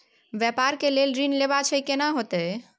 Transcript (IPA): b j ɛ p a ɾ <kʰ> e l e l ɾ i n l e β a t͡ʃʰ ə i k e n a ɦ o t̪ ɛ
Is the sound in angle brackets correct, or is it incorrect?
incorrect